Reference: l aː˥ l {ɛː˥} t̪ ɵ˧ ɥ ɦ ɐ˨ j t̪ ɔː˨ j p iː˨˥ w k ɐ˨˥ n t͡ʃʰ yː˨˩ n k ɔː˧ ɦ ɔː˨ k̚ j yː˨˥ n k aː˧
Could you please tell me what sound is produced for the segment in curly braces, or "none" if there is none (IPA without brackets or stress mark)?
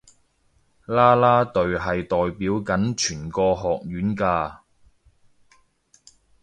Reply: aː˥